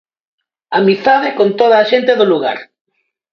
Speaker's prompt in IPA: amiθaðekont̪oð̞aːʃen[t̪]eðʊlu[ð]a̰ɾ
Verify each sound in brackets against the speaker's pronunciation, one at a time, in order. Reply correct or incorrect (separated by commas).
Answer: correct, incorrect